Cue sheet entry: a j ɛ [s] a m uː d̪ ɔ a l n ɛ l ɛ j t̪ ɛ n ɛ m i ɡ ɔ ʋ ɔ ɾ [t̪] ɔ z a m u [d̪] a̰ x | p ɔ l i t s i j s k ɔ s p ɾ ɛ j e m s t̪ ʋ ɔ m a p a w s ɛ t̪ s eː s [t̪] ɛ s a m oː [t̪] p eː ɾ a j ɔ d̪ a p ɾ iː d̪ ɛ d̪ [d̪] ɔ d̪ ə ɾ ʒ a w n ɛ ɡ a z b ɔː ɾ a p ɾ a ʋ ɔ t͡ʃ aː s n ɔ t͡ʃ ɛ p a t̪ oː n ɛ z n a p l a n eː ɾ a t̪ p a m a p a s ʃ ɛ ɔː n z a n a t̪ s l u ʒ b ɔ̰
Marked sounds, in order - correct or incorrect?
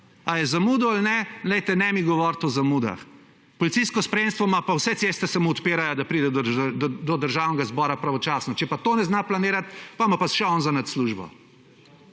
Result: incorrect: z, correct, correct, correct, correct, correct

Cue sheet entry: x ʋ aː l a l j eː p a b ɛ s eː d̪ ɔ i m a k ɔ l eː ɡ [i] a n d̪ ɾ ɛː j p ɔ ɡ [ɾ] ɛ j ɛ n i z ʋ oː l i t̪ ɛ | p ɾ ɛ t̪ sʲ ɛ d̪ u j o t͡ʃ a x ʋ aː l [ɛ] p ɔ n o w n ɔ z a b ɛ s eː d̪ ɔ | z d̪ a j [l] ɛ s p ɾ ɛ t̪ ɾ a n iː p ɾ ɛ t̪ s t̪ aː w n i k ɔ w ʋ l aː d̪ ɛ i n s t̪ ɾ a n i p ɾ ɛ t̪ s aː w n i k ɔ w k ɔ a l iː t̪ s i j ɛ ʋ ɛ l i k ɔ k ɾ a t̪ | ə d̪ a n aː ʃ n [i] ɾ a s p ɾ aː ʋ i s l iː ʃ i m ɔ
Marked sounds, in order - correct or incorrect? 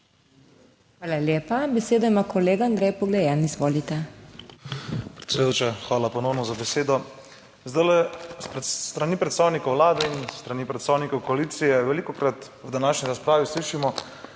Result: incorrect: a, incorrect: l, incorrect: a, correct, correct

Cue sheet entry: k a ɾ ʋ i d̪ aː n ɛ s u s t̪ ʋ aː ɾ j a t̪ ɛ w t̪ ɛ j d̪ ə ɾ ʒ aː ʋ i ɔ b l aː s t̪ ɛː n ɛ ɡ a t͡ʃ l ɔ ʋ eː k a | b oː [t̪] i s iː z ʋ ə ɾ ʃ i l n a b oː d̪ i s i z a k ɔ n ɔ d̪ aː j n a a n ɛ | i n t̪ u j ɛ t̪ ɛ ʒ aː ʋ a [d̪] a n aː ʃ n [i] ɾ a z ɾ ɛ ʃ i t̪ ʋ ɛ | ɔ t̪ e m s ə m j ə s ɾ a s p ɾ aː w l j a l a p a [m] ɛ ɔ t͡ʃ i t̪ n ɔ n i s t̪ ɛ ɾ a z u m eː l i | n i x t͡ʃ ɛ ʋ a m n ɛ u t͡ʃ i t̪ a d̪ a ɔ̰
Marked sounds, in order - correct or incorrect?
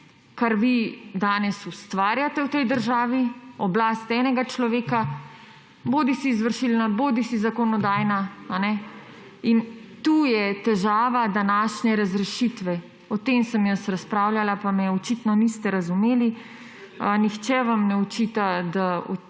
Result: incorrect: d̪, correct, incorrect: ɛ, correct

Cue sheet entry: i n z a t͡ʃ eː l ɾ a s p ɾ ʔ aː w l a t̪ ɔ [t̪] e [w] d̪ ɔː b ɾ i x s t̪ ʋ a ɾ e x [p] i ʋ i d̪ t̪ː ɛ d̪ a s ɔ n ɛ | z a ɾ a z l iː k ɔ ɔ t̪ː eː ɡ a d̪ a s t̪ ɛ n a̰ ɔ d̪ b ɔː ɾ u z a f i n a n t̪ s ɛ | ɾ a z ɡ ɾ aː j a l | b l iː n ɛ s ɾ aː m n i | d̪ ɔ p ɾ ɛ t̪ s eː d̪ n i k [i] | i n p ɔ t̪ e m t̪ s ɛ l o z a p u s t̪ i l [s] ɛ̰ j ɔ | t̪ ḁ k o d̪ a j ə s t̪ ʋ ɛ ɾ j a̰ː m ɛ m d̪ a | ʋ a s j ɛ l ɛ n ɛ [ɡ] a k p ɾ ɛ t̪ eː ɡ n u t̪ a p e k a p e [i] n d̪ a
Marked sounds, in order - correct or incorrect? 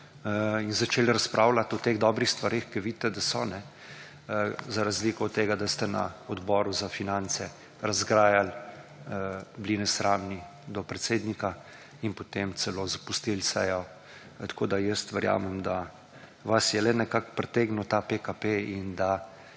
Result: correct, incorrect: ɣ, incorrect: k, incorrect: a, correct, incorrect: k, correct

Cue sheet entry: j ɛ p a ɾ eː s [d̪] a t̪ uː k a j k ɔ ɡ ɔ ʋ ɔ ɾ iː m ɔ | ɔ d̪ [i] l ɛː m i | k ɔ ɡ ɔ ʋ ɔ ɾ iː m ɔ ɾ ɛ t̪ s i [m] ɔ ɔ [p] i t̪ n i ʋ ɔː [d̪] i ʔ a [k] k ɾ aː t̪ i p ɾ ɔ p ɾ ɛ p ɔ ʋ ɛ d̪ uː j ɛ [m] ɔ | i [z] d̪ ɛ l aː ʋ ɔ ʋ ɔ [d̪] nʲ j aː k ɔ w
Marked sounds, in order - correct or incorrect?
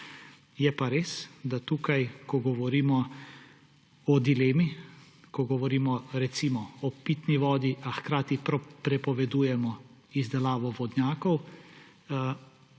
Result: correct, correct, correct, correct, correct, incorrect: x, correct, correct, correct

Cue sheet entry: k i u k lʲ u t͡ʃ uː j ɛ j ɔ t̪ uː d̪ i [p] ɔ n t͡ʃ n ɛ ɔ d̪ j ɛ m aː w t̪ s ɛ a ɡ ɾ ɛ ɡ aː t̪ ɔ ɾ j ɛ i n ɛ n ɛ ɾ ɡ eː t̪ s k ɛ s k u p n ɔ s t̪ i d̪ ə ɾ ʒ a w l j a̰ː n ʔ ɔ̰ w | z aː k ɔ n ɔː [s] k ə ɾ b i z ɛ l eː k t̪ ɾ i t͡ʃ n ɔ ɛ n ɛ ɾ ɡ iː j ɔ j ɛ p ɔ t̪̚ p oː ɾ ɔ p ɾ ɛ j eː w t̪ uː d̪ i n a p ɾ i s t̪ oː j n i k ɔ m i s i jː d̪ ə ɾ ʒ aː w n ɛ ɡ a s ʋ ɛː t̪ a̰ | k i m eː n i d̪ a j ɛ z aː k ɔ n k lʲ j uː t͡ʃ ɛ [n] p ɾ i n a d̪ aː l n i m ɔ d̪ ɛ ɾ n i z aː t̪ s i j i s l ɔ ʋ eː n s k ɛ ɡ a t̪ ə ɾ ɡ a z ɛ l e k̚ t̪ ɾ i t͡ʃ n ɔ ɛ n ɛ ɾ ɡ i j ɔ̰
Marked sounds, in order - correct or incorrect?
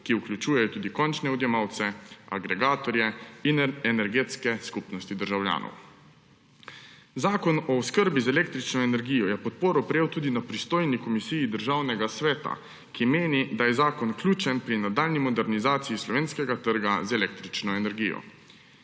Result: incorrect: k, correct, correct

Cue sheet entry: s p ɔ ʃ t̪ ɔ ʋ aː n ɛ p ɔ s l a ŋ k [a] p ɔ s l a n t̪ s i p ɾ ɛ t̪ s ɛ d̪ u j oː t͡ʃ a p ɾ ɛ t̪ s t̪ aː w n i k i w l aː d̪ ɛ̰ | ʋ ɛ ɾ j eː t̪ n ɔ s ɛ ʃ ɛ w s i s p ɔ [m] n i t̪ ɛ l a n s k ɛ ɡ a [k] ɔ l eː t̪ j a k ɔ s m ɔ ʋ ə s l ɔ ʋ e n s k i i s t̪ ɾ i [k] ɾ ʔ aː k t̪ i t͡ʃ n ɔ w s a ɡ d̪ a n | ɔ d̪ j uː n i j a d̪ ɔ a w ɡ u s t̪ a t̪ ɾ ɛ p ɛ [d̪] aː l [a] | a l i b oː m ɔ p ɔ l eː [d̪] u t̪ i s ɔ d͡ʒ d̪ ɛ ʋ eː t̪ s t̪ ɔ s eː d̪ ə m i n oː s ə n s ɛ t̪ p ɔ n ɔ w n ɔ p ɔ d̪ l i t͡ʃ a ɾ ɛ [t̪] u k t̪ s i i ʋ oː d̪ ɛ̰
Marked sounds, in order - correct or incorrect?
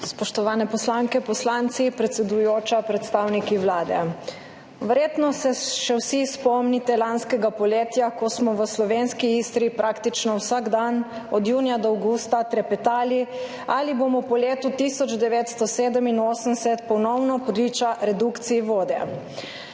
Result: incorrect: ɛ, correct, incorrect: p, incorrect: p, incorrect: t̪, incorrect: i, incorrect: t̪, incorrect: d̪

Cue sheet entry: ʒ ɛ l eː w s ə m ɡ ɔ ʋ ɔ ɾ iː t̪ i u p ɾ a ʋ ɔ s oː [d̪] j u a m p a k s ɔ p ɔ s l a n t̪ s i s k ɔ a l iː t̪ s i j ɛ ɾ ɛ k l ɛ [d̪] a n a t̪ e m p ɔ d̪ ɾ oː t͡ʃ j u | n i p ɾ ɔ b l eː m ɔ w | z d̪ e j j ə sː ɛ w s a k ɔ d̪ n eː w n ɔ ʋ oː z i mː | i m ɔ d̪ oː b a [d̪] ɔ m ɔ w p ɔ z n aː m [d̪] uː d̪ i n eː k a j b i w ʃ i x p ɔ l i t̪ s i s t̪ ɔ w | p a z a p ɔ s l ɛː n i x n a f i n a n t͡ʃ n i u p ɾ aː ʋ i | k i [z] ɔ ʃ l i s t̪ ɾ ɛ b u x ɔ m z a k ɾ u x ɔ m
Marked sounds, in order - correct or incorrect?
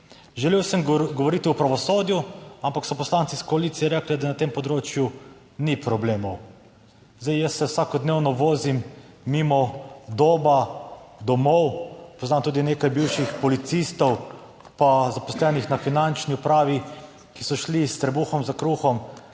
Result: correct, correct, correct, incorrect: t̪, incorrect: s

